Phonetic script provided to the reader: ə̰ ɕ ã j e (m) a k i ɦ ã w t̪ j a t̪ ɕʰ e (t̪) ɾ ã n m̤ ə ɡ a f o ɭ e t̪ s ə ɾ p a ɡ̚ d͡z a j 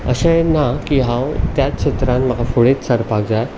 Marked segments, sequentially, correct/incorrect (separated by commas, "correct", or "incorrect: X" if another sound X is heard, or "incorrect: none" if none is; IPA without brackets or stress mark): incorrect: n, correct